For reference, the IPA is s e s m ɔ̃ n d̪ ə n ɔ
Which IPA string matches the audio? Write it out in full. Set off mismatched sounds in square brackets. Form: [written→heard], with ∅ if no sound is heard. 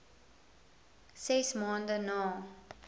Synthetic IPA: s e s m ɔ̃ n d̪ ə n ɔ